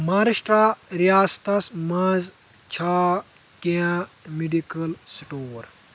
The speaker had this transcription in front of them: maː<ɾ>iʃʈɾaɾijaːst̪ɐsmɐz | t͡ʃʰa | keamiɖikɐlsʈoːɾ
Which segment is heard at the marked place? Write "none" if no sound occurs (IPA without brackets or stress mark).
ɾ